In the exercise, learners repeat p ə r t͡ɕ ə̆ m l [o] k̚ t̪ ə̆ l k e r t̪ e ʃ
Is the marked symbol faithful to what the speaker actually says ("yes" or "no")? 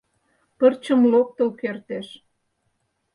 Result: yes